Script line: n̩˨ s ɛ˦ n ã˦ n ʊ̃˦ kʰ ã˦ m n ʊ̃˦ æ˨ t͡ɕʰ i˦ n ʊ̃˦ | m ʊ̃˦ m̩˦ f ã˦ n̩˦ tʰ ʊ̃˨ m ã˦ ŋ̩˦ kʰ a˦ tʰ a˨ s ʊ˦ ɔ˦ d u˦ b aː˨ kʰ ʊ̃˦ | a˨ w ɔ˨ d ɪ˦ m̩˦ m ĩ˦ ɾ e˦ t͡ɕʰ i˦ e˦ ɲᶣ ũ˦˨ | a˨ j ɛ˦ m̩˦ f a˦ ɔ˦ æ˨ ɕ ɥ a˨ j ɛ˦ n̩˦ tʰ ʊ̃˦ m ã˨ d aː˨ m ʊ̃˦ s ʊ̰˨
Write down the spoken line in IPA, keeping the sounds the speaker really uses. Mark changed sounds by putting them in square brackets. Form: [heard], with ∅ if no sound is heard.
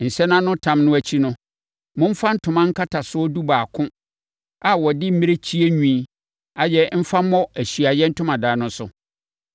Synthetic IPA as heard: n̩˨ s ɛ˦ n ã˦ n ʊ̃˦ [tʰ] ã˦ m n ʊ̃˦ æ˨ t͡ɕʰ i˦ n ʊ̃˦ | m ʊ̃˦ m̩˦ f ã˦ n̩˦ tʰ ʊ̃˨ m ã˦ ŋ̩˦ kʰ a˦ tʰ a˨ s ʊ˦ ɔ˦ d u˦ b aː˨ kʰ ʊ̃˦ | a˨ w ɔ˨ d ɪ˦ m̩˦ m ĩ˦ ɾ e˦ t͡ɕʰ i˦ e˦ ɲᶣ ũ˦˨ | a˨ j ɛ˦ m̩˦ f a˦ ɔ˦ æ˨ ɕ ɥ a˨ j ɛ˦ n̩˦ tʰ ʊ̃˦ m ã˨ d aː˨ [n] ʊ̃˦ s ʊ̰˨